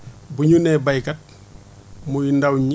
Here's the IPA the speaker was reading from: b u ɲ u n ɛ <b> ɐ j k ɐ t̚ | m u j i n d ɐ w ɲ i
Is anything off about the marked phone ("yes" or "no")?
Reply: no